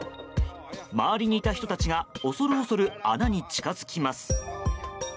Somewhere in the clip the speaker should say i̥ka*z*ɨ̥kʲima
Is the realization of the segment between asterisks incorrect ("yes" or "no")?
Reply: no